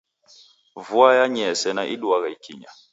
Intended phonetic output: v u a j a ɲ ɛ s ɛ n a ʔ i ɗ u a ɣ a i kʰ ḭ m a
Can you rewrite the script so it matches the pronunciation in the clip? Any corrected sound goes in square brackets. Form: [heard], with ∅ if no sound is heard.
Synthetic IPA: v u a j a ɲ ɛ s ɛ n a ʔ i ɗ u a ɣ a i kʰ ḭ [ɲ] a

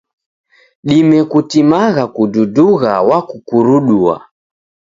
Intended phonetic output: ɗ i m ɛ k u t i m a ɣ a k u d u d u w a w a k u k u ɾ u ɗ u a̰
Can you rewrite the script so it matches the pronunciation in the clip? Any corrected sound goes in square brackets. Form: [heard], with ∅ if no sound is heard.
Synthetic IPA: ɗ i m ɛ k u t i m a ɣ a k u d u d u [ɣ] a w a k u k u ɾ u ɗ u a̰

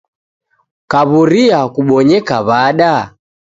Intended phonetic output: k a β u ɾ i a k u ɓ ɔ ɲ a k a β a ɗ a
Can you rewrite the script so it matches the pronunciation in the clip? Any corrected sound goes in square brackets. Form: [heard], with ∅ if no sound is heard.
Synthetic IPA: k a β u ɾ i a k u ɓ ɔ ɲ [ɛ] k a β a ɗ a

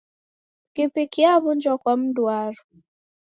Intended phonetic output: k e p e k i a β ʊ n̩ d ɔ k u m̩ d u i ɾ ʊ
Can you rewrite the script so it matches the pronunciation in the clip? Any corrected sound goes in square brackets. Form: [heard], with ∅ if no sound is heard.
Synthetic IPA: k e p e k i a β ʊ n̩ [d͡ʒ] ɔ k [ɔ] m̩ d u [a] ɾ ʊ

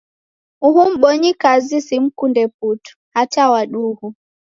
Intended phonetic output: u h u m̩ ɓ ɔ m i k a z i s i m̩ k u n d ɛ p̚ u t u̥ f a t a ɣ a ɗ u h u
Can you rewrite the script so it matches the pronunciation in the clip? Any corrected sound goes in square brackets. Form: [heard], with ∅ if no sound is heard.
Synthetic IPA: u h u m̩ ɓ ɔ [ɲ] i k a z i s i m̩ k u n d ɛ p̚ u t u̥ [h] a t a [w] a ɗ u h u

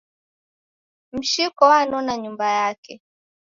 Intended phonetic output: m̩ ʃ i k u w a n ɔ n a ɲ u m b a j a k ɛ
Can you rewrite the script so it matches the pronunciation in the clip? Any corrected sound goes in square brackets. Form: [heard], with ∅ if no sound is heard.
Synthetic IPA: m̩ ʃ i k [ɔ] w a n ɔ n a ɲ u m b a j a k ɛ

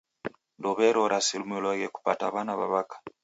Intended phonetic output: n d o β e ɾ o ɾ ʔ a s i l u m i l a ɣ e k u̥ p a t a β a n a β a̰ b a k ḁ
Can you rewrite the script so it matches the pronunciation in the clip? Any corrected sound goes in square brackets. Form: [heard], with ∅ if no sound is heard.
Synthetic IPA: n d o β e ɾ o ɾ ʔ a s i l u m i l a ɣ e k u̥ p a t a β a n a β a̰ [β] a k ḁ

